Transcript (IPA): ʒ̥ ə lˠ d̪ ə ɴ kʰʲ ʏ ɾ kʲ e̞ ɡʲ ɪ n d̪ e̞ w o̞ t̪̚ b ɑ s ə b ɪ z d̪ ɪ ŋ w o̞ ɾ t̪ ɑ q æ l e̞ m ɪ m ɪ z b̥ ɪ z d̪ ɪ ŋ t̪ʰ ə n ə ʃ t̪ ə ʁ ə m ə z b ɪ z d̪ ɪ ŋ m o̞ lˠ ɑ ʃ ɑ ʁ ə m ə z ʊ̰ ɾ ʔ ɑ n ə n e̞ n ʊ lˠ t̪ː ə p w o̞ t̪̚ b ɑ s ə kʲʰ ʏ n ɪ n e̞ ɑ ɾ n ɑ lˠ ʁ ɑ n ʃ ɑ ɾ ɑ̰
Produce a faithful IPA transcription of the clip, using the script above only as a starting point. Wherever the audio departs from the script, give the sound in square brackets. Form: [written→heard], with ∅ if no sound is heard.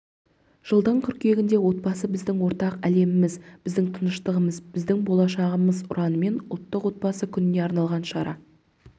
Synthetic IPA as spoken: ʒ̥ ə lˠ d̪ ə ɴ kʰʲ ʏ ɾ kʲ e̞ ɡʲ ɪ n d̪ e̞ w o̞ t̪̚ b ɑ s ə b ɪ z d̪ ɪ ŋ w o̞ ɾ t̪ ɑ q æ l e̞ m ɪ m ɪ z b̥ ɪ z d̪ ɪ ŋ t̪ʰ ə n ə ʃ t̪ ə ʁ ə m ə z b ɪ z d̪ ɪ ŋ [m→b] o̞ lˠ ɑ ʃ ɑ ʁ ə m ə z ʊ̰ ɾ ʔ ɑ n ə [n→m] e̞ n ʊ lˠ t̪ː ə [p→q] w o̞ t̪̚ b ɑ s ə kʲʰ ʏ n ɪ n e̞ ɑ ɾ n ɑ lˠ ʁ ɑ n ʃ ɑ ɾ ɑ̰